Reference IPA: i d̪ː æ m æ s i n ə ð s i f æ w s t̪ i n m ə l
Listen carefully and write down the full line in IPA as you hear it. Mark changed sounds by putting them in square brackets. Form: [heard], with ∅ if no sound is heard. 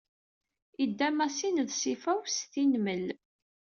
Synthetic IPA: i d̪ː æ m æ s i n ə ð s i f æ w s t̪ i n m ə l